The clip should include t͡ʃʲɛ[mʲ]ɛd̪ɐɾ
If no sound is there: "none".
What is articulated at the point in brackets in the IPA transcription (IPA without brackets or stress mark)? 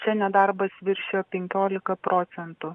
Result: nʲ